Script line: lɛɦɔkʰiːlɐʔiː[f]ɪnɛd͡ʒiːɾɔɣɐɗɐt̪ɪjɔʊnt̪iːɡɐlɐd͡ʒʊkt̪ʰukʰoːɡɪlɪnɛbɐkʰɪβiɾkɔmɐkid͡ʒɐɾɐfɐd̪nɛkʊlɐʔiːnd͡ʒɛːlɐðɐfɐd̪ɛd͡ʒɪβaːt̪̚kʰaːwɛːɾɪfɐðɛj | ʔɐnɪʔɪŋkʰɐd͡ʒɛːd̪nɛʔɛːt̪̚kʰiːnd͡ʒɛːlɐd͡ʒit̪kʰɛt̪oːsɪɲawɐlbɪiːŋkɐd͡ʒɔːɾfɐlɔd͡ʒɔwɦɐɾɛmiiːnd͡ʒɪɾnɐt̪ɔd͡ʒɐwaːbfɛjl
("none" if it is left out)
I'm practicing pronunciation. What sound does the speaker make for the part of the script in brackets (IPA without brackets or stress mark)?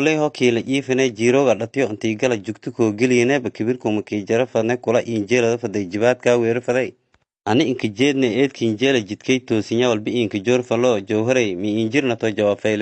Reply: f